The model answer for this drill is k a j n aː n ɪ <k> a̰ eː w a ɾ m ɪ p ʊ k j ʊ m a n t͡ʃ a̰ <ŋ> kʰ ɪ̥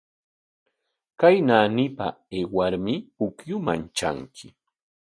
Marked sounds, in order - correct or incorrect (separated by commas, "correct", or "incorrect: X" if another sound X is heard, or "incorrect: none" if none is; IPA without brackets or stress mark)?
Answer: incorrect: p, correct